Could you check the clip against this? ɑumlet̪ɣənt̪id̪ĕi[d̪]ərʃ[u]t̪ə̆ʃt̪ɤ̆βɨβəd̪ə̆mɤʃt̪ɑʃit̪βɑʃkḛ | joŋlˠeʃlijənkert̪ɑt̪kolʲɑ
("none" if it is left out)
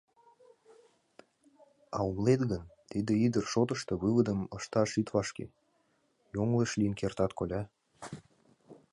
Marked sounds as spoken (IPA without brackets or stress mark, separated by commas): d̪, o